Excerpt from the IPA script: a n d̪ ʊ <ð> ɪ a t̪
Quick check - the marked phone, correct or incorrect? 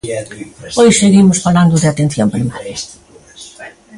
correct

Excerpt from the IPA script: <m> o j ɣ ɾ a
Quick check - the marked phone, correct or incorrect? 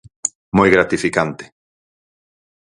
correct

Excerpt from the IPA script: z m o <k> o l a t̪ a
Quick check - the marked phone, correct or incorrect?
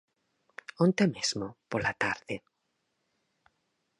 incorrect: p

